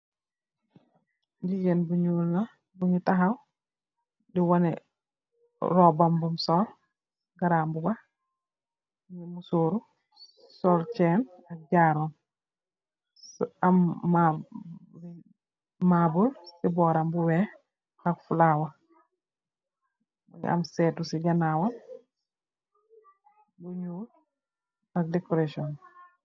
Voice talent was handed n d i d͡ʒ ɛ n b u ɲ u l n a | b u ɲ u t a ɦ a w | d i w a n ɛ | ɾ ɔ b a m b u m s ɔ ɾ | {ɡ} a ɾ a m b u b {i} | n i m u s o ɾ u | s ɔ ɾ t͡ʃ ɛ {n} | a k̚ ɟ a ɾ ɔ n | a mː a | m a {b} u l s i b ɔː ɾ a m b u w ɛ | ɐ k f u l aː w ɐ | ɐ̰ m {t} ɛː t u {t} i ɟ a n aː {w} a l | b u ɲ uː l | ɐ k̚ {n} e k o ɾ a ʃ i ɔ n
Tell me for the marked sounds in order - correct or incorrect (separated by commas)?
correct, incorrect, correct, correct, incorrect, incorrect, correct, incorrect